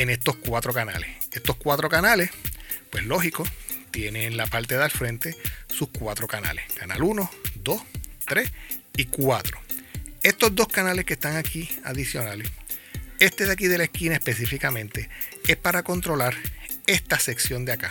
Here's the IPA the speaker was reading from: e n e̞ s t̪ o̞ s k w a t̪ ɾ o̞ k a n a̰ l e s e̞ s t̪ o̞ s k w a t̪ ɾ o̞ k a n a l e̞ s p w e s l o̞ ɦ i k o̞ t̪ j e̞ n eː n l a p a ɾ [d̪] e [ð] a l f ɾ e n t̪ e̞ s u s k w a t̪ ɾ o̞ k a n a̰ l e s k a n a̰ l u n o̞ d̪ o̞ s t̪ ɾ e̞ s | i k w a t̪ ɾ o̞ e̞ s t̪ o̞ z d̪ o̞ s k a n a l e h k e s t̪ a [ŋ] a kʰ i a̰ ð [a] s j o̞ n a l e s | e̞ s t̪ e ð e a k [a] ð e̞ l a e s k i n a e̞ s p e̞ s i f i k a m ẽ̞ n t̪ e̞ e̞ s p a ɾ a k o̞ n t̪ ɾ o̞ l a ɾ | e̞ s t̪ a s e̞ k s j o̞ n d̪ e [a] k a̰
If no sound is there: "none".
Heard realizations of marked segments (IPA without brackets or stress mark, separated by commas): t̪, ð, ŋ, i, i, a